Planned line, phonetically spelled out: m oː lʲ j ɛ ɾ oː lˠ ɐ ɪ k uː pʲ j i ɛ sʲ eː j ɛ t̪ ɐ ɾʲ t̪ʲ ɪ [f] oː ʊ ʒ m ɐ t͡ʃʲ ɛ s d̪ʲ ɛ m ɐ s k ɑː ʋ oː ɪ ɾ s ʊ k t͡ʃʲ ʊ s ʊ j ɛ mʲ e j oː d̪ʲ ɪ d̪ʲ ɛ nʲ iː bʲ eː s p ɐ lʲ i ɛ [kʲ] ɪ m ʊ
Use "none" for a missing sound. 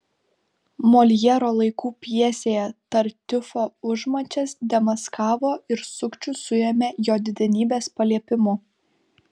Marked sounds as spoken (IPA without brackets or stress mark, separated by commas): f, pʲ